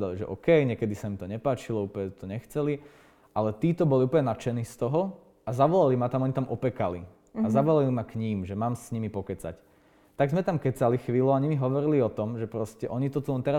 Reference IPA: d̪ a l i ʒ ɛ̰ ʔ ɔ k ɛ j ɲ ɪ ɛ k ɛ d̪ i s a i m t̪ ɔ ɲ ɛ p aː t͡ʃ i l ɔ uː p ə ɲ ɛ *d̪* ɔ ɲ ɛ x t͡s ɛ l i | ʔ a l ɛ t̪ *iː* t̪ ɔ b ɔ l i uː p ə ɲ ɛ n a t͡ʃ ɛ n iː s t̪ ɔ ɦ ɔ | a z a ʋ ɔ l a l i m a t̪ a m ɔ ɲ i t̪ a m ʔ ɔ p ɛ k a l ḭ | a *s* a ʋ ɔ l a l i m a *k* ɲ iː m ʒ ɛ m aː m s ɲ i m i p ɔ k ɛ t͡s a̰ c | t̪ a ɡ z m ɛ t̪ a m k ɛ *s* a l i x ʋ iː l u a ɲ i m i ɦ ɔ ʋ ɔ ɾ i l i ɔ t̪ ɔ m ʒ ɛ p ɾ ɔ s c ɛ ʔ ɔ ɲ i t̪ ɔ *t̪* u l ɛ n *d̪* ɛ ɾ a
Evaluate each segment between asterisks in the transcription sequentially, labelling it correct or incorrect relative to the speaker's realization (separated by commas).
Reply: incorrect, correct, incorrect, correct, incorrect, correct, incorrect